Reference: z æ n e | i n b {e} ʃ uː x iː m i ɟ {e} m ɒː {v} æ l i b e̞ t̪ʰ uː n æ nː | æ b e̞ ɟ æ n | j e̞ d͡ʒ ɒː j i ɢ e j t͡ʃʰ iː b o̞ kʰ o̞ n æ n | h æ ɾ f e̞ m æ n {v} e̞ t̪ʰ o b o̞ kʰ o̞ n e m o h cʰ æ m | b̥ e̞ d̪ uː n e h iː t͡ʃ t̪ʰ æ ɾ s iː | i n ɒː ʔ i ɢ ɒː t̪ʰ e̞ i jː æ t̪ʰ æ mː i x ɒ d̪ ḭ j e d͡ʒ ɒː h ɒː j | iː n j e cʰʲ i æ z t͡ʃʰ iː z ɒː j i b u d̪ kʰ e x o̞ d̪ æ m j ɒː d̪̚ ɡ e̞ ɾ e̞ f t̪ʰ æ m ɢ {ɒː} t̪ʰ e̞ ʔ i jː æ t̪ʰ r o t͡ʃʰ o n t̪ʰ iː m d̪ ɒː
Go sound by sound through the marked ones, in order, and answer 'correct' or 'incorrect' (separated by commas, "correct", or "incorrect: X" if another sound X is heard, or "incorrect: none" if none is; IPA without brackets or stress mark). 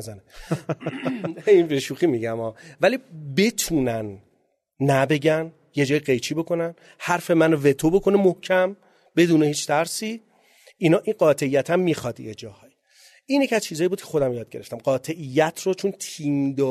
correct, incorrect: æ, correct, correct, correct